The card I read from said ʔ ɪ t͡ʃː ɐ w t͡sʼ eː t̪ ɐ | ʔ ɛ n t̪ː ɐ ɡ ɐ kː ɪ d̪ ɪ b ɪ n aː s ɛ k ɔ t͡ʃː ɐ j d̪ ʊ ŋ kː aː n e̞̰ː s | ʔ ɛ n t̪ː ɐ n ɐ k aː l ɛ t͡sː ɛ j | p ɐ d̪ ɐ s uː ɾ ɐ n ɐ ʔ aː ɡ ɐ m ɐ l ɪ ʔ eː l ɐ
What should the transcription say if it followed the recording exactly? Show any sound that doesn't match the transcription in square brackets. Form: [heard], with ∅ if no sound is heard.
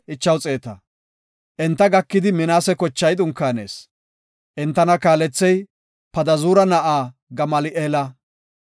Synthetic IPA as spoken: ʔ ɪ t͡ʃː ɐ w t͡sʼ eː t̪ ɐ | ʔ ɛ n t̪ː ɐ ɡ ɐ kː ɪ d̪ ɪ [m] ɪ n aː s ɛ k ɔ t͡ʃː ɐ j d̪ ʊ ŋ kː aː n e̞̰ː s | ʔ ɛ n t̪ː ɐ n ɐ k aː l ɛ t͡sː ɛ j | p ɐ d̪ ɐ [z] uː ɾ ɐ n ɐ ʔ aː ɡ ɐ m ɐ l ɪ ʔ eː l ɐ